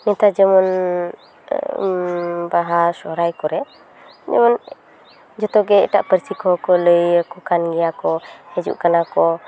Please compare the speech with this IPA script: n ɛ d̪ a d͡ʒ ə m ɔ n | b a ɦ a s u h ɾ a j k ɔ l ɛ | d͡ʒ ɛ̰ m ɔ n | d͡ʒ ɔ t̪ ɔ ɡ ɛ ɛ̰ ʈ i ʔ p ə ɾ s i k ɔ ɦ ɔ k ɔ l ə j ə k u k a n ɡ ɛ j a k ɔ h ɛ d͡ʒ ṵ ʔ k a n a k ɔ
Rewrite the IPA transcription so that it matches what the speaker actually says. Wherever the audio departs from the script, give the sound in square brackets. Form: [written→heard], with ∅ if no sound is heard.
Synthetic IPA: n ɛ [d̪→t̪] a d͡ʒ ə m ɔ n | b a ɦ a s [u→ɔ] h ɾ a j k ɔ [l→ɾ] ɛ | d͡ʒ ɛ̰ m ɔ n | d͡ʒ ɔ t̪ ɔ ɡ ɛ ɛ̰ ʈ [i→a] ʔ p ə ɾ s i k ɔ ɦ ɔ k ɔ l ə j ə k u k a n ɡ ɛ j a k ɔ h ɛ d͡ʒ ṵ ʔ k a n a k ɔ

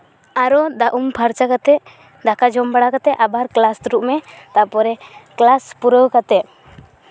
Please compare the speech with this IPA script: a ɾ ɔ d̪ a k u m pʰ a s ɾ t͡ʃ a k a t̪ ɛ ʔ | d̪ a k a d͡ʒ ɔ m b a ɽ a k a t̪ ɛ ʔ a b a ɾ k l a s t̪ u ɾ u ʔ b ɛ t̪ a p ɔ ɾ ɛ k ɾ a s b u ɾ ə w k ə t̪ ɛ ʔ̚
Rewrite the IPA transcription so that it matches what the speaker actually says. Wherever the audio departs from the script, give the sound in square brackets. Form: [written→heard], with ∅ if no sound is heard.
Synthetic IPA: a ɾ ɔ d̪ a [k→ʔ] u m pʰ a [s→∅] ɾ t͡ʃ a k a t̪ ɛ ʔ | d̪ a k a d͡ʒ ɔ m b a ɽ a k a t̪ ɛ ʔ a b a ɾ k l a s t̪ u ɾ u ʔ [b→m] ɛ t̪ a p ɔ ɾ ɛ k [ɾ→l] a s [b→p] u ɾ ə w k [ə→a] t̪ ɛ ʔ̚

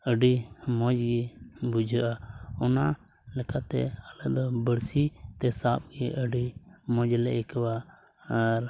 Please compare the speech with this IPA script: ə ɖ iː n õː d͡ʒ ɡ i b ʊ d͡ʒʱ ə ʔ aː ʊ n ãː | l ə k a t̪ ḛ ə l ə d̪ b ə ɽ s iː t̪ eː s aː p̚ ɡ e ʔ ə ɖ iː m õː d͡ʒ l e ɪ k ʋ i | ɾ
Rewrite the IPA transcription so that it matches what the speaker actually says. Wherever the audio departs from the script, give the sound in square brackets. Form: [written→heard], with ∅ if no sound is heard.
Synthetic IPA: ə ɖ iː [n→m] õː d͡ʒ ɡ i b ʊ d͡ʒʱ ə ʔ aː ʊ n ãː | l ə k a t̪ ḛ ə l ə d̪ b ə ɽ s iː t̪ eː s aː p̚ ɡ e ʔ ə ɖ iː m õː d͡ʒ l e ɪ k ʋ [i→a] | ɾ

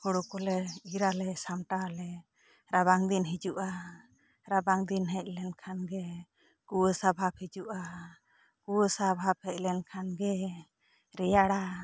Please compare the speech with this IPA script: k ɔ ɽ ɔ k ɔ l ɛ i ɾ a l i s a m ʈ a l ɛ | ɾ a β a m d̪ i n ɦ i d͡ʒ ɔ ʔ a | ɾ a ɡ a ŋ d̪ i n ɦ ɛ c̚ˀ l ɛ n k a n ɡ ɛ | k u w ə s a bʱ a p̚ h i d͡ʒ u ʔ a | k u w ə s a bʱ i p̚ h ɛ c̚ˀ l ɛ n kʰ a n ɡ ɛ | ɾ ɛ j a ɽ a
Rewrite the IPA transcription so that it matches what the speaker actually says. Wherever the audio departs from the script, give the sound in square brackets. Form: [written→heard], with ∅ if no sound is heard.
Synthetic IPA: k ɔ ɽ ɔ k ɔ l ɛ i ɾ a l [i→ɛ] s a m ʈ a l ɛ | ɾ a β a [m→ŋ] d̪ i n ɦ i d͡ʒ [ɔ→u] ʔ a | ɾ a [ɡ→b] a ŋ d̪ i n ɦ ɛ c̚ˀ l ɛ n [k→kʰ] a n ɡ ɛ | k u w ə s a bʱ a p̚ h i d͡ʒ u ʔ a | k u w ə s a bʱ [i→a] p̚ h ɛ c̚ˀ l ɛ n kʰ a n ɡ ɛ | ɾ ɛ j a ɽ a

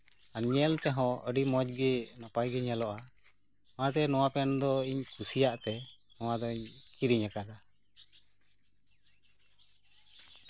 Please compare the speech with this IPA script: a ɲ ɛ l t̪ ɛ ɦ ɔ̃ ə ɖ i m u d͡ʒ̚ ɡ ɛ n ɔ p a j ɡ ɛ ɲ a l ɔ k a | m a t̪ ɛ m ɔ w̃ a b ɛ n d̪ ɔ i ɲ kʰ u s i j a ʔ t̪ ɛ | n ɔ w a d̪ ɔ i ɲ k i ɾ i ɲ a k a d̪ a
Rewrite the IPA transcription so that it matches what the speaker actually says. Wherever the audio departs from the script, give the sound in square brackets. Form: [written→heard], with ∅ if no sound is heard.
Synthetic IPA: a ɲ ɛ l t̪ ɛ ɦ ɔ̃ ə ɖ i m [u→ɔ] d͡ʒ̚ ɡ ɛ n ɔ p a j ɡ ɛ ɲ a l ɔ [k→ʔ] a | m a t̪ ɛ [m→n] ɔ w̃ a [b→p] ɛ n d̪ ɔ i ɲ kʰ u s i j a ʔ t̪ ɛ | n ɔ w a d̪ ɔ i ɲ k i ɾ i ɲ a k a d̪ a

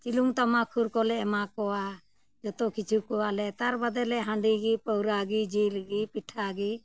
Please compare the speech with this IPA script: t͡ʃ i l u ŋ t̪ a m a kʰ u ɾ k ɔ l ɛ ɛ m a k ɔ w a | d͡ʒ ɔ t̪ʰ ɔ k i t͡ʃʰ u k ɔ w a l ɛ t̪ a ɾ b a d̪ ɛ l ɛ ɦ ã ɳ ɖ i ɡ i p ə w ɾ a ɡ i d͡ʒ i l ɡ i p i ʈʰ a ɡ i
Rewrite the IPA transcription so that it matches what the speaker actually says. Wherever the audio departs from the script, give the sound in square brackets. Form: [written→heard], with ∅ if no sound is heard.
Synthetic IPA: t͡ʃ i l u ŋ t̪ a m a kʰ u ɾ k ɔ l ɛ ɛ m a k ɔ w a | d͡ʒ ɔ [t̪ʰ→t̪] ɔ k i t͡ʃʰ u k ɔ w a l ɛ t̪ a ɾ b a d̪ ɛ l ɛ ɦ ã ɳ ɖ i ɡ i p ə w ɾ a ɡ i d͡ʒ i l ɡ i p i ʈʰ a ɡ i

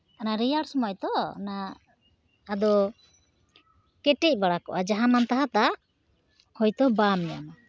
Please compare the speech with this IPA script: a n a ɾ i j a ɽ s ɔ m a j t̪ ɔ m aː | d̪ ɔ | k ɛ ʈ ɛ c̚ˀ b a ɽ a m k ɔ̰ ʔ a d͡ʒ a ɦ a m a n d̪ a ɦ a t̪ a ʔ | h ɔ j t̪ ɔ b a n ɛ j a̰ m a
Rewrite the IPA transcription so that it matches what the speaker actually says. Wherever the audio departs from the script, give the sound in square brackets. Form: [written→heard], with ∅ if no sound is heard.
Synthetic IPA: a n a ɾ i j a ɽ s ɔ m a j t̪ ɔ [m→n] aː | d̪ ɔ | k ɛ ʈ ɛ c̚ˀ b a ɽ a [m→∅] k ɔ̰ ʔ a d͡ʒ a ɦ a m a n [d̪→t̪] a ɦ a t̪ a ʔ | h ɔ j t̪ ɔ b a [n→m] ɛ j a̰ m a

